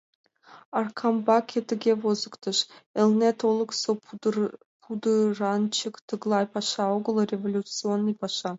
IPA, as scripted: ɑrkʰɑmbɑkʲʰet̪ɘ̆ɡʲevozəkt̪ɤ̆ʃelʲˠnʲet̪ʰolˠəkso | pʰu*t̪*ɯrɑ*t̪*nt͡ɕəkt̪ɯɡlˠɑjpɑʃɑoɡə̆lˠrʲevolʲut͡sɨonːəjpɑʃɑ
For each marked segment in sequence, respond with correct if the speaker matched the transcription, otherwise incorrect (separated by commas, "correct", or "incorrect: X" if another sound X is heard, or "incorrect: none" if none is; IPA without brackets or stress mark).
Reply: incorrect: d̪, incorrect: none